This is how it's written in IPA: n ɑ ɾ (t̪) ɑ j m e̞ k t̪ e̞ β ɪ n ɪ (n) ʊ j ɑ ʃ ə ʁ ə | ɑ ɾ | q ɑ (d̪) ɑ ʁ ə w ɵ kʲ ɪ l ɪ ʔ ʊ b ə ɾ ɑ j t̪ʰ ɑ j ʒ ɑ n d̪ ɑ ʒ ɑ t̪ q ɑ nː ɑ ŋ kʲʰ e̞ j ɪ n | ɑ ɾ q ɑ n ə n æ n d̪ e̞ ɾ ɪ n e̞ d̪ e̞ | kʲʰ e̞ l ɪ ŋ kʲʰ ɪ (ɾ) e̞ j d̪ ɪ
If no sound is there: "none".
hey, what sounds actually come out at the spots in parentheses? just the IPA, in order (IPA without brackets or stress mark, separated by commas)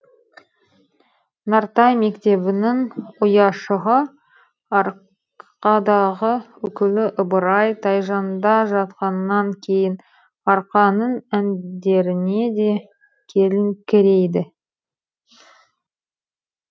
t̪, ŋ, d̪, ɾ